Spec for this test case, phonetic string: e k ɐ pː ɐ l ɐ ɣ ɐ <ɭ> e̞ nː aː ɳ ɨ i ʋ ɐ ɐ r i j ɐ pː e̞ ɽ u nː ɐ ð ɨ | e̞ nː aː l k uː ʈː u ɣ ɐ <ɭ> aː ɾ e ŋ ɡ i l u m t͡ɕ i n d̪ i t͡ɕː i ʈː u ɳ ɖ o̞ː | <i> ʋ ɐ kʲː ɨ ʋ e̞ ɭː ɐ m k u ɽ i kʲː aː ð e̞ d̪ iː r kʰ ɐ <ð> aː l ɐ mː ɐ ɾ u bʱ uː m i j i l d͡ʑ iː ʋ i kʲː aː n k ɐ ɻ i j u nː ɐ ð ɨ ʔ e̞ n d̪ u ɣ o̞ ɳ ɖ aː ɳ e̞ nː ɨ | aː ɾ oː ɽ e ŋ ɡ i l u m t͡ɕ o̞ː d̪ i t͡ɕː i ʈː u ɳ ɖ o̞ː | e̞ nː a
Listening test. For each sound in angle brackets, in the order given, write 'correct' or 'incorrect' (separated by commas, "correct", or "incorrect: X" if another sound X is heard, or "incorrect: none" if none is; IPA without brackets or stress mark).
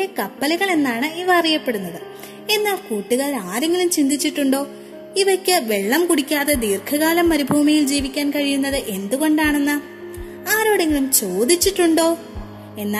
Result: correct, correct, correct, incorrect: ɣ